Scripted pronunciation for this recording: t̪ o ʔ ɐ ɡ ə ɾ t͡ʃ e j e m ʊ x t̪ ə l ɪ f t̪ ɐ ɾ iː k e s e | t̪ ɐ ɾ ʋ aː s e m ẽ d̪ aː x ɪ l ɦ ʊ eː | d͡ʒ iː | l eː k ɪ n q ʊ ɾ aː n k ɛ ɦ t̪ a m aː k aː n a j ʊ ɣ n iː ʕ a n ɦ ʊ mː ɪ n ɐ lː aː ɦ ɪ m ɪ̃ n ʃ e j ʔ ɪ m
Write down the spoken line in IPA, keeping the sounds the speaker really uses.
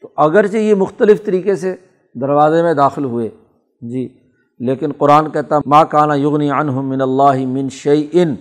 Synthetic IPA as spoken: t̪ o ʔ ɐ ɡ ə ɾ t͡ʃ e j e m ʊ x t̪ ə l ɪ f t̪ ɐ ɾ iː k e s e | d̪ ɐ ɾ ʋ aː z e m ẽ d̪ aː x ɪ l ɦ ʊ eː | d͡ʒ iː | l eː k ɪ n q ʊ ɾ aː n k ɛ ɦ t̪ a m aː k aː n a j ʊ ɣ n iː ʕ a n ɦ ʊ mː ɪ n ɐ lː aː ɦ ɪ m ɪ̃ n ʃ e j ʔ ɪ n